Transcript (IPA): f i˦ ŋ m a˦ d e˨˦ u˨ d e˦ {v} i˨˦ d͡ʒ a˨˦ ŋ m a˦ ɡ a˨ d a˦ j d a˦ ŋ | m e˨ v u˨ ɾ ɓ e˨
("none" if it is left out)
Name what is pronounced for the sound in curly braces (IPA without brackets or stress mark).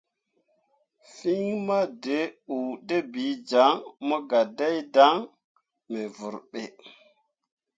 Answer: b